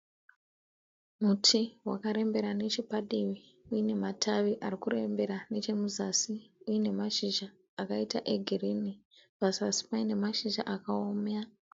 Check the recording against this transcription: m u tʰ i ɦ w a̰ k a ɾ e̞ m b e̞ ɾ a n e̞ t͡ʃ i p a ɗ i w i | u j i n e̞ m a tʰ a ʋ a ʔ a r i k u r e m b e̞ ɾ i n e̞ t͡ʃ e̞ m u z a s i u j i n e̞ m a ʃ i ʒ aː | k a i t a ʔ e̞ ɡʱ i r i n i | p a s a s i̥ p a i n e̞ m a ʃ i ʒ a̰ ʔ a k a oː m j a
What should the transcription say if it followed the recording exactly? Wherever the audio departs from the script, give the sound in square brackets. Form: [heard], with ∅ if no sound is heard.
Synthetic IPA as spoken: m u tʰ i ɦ w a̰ k a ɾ e̞ m b e̞ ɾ a n e̞ t͡ʃ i p a ɗ i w i | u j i n e̞ m a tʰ a ʋ [i] ʔ a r i k u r e m b e̞ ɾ [a] n e̞ t͡ʃ e̞ m u z a s i u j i n e̞ m a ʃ i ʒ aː | k a i t a ʔ e̞ ɡʱ i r i n i | p a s a s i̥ p a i n e̞ m a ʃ i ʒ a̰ ʔ a k a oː m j a